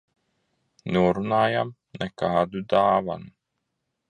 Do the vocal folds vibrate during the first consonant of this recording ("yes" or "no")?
yes